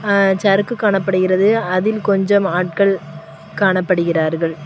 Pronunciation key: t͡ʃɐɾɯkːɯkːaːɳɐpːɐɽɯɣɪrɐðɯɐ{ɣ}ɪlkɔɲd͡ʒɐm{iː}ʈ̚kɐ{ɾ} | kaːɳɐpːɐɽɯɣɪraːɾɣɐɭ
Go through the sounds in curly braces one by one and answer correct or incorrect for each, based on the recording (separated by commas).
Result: incorrect, incorrect, incorrect